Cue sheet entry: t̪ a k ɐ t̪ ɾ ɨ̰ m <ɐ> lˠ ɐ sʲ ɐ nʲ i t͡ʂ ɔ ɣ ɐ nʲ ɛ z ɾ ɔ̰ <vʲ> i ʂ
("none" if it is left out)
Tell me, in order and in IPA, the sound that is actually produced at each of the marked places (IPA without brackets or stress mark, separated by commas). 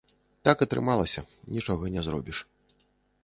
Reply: a, bʲ